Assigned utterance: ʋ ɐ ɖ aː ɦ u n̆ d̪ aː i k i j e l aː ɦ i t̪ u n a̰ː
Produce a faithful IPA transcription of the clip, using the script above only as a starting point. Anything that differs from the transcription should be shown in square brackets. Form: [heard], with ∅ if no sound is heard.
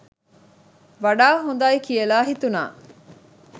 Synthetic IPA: ʋ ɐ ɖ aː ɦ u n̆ d̪ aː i k i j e l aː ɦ i t̪ u n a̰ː

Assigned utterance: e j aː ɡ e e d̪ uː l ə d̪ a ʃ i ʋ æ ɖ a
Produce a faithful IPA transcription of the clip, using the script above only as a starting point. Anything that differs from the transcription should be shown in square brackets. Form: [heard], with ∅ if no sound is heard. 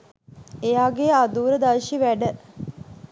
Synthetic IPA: e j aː ɡ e [a] d̪ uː [ɾ] ə d̪ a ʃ i ʋ æ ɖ [ə]

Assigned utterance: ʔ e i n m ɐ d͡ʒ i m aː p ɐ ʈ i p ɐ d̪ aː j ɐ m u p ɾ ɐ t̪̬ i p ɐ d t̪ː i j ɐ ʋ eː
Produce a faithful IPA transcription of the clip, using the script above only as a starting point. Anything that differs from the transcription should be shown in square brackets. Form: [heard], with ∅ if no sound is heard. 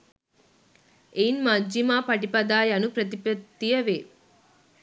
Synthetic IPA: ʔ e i n m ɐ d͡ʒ i m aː p ɐ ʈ i p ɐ d̪ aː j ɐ [n] u p ɾ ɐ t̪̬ i p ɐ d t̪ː i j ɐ ʋ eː

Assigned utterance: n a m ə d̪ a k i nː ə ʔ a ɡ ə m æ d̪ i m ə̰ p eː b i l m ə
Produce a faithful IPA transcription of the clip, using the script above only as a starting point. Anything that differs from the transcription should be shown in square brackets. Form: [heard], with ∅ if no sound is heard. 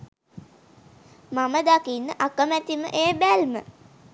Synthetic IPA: [m] a m ə d̪ a k i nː ə ʔ a [k] ə m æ [t̪] i m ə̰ [ʔ] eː b [æ] l m ə

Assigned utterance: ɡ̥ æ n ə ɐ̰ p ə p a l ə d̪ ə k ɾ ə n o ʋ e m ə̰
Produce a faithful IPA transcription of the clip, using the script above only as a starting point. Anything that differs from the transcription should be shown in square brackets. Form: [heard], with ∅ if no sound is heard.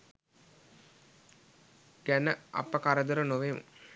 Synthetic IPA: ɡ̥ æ n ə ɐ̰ p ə [k] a [ɾ] ə d̪ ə [∅] ɾ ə n o ʋ e m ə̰

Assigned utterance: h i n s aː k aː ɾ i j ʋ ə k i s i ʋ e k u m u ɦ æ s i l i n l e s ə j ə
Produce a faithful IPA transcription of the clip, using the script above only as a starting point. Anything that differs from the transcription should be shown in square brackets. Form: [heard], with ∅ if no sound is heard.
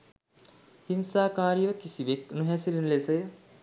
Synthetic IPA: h i n s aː k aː ɾ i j ʋ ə k i s i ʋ e k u [n] u ɦ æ s i l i n l e s ə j ə

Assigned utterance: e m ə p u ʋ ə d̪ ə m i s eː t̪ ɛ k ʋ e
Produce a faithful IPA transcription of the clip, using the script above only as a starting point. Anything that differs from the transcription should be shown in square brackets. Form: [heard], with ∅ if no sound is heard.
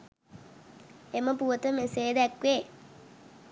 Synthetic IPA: e m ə p u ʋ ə [t̪] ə m [e] s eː [d̪] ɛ k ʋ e

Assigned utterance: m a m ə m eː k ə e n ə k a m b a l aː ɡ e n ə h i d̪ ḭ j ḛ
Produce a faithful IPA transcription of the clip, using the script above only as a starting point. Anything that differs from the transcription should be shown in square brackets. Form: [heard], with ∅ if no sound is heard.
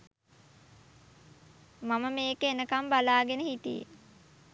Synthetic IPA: m a m ə m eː k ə e n ə k a m b a l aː ɡ e n ə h i [t̪] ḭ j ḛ

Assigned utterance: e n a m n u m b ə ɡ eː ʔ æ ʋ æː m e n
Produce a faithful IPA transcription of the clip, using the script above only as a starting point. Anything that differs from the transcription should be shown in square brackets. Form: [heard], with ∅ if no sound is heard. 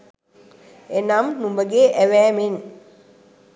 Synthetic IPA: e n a m n u m b ə ɡ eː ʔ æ ʋ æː m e n

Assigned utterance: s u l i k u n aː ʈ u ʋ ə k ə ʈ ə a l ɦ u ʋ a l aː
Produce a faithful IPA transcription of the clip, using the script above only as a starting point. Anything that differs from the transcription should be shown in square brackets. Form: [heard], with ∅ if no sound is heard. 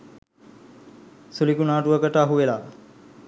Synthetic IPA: s u l i k u n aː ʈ u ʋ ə k ə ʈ ə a [∅] ɦ u ʋ [e] l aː

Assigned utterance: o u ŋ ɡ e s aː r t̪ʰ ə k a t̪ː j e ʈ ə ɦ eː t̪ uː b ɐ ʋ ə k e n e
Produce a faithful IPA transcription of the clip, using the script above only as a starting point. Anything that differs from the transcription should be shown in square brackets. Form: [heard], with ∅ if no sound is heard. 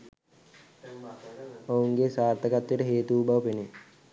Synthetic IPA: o u ŋ ɡ e s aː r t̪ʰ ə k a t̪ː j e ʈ ə ɦ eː t̪ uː b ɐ ʋ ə [p] e n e

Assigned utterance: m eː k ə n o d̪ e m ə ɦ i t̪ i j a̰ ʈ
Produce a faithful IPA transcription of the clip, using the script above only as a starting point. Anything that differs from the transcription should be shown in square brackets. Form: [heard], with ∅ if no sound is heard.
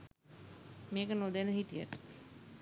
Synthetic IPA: m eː k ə n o d̪ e [n] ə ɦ i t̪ i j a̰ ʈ

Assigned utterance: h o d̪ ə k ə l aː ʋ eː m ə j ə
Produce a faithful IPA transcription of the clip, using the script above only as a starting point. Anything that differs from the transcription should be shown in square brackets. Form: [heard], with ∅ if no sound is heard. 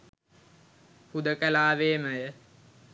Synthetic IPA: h [u] d̪ ə k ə l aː ʋ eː m ə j ə

